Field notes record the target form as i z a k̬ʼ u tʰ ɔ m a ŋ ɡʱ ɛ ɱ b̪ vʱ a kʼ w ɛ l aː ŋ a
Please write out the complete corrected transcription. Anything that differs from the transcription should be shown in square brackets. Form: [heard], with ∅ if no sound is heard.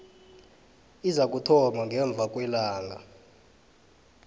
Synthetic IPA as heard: i z a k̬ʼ u tʰ ɔ m a ŋ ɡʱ ɛ ɱ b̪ vʱ a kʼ w ɛ l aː ŋ a